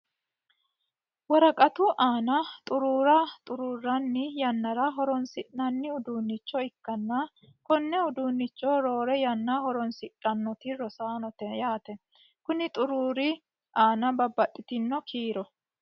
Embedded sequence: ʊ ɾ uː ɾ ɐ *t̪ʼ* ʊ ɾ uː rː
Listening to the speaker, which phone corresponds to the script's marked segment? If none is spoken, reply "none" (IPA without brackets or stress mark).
t̪ʼ